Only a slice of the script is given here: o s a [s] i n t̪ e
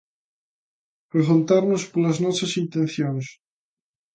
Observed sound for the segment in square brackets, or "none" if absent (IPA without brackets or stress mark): s